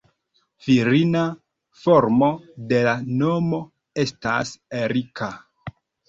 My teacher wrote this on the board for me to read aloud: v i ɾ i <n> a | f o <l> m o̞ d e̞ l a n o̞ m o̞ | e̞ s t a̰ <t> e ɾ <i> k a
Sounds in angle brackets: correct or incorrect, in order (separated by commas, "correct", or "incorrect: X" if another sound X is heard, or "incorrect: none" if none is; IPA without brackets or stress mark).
correct, incorrect: ɾ, incorrect: s, correct